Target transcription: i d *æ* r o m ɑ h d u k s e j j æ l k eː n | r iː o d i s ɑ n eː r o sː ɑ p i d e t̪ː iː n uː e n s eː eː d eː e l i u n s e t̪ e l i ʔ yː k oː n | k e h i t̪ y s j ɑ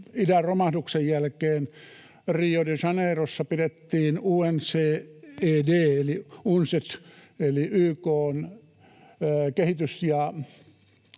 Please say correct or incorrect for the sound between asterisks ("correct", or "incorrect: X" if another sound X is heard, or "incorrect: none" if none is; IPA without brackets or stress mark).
correct